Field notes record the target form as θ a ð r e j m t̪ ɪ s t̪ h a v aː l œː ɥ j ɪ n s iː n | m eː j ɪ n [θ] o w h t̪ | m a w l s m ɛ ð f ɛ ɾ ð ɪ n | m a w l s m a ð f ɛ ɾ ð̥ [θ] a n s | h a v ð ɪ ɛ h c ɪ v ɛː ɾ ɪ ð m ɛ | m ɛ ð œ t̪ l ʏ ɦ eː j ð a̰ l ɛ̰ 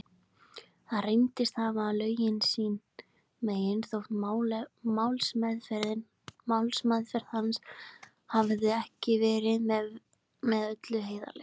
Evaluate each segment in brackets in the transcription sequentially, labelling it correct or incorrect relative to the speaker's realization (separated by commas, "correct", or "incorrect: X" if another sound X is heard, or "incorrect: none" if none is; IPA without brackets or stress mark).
correct, incorrect: h